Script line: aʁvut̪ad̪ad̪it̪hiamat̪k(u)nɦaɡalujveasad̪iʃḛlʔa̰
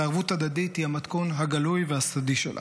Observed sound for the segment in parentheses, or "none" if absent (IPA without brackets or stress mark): o